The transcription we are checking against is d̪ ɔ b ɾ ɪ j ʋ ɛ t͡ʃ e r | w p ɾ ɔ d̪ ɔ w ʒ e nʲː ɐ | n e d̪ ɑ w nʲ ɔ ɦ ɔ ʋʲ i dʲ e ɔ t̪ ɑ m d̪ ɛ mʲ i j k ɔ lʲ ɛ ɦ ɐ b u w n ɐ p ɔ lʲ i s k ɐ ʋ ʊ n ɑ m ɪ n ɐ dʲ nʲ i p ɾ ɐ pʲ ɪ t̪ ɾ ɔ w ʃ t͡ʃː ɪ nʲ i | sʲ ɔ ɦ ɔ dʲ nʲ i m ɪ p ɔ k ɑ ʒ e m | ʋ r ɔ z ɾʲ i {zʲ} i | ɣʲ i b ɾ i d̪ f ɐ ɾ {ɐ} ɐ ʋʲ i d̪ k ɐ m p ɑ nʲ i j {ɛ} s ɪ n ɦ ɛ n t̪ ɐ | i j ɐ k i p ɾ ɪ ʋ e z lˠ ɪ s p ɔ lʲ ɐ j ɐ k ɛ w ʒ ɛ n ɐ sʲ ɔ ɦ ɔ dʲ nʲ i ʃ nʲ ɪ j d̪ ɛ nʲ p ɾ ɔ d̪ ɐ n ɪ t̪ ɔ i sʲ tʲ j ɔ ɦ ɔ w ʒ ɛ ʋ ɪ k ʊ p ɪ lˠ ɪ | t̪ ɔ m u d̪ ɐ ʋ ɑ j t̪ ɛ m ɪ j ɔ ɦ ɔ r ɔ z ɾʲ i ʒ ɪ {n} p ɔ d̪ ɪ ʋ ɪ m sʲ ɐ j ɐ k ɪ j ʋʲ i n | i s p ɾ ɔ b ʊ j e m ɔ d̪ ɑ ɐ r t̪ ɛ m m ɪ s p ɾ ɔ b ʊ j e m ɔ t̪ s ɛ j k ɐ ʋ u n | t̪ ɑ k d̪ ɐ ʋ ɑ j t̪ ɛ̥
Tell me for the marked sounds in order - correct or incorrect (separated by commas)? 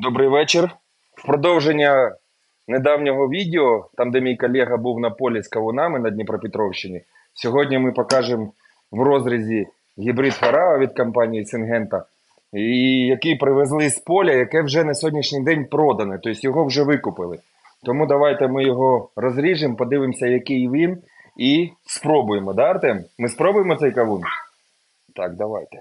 correct, incorrect, incorrect, incorrect